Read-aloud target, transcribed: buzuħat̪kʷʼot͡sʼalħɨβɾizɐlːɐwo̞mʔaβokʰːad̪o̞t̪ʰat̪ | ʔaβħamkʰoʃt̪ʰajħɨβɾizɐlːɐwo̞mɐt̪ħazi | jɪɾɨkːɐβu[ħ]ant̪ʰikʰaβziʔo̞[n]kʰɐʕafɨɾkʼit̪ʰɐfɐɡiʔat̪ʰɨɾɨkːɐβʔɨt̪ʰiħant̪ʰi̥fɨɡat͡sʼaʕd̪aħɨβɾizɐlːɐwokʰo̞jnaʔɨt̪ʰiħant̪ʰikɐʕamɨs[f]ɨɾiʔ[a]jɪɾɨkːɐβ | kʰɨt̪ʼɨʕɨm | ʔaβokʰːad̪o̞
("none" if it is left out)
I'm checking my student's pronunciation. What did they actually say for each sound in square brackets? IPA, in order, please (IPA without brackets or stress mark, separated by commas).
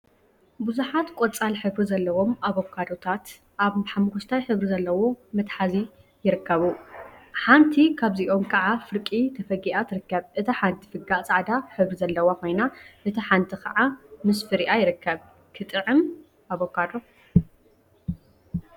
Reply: ħ, m, f, a